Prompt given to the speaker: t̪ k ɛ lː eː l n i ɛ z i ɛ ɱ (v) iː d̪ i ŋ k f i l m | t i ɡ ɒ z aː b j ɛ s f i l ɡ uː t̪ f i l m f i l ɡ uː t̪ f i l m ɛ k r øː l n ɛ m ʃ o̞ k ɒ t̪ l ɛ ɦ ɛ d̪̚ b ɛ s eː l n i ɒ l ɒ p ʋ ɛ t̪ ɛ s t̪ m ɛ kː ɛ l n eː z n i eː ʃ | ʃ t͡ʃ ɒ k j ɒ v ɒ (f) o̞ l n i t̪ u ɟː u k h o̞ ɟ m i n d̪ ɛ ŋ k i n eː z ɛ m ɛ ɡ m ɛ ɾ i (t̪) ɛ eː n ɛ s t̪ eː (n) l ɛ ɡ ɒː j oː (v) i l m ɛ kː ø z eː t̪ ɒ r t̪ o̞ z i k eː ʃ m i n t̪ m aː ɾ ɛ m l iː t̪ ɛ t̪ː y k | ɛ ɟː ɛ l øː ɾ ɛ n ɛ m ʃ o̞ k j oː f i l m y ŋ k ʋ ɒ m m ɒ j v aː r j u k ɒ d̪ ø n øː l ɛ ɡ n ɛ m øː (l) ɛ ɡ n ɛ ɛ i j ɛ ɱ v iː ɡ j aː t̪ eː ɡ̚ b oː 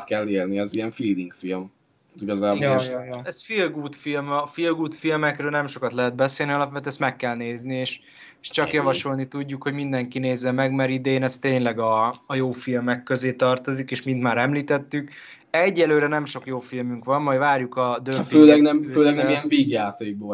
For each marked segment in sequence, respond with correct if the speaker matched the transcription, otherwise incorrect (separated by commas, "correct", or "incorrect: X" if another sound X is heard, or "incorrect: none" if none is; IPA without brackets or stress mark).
incorrect: f, incorrect: ʃ, incorrect: d̪, incorrect: ɲ, incorrect: f, correct